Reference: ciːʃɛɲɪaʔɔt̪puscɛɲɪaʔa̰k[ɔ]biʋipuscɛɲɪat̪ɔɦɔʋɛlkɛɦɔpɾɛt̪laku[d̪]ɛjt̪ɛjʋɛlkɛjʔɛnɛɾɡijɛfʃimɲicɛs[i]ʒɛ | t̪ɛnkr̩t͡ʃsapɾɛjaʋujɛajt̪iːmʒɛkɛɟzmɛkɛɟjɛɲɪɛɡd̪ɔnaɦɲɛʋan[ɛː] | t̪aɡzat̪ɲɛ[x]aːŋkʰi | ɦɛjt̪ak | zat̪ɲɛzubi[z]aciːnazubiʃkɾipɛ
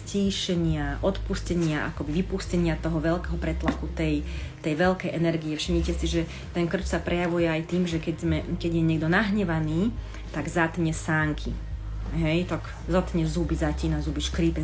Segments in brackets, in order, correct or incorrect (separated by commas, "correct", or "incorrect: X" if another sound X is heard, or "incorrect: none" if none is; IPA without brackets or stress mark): correct, incorrect: t̪, correct, incorrect: iː, incorrect: s, correct